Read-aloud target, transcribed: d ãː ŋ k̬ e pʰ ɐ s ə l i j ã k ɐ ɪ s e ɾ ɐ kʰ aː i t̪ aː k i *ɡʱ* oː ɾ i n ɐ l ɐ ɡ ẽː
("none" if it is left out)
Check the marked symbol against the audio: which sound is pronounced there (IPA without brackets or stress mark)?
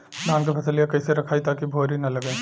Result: bʱ